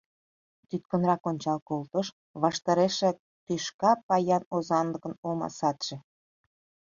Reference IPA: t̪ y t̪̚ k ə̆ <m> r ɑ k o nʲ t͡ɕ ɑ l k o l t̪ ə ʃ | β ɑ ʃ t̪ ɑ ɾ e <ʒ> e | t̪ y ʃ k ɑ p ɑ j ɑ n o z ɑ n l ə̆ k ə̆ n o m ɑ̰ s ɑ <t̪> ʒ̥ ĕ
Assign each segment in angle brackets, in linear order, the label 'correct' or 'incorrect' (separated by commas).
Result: incorrect, incorrect, correct